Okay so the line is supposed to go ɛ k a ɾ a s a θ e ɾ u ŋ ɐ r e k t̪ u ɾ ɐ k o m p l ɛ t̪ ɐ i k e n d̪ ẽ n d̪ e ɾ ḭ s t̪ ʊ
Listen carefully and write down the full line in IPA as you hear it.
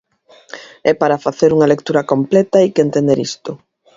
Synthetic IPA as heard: ɛ p a ɾ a f a θ e ɾ u ŋ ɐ l e k t̪ u ɾ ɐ k o m p l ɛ t̪ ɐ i k e n t̪ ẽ n d̪ e ɾ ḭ s t̪ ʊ